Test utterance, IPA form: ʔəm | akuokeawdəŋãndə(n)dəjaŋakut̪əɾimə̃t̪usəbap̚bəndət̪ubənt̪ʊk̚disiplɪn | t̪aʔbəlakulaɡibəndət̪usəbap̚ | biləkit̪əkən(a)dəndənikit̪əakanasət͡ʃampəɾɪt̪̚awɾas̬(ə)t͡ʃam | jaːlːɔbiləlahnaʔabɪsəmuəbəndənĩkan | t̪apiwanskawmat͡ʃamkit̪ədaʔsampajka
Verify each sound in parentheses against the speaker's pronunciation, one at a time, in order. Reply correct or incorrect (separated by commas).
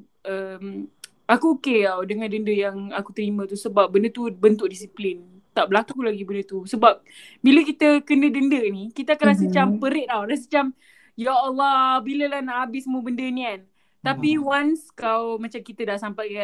correct, incorrect, correct